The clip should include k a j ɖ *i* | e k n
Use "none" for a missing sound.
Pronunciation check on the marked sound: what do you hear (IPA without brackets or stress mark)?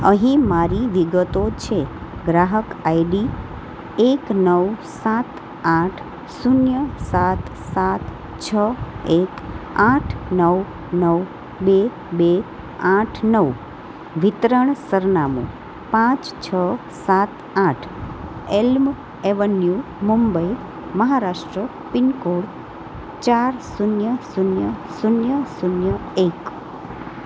i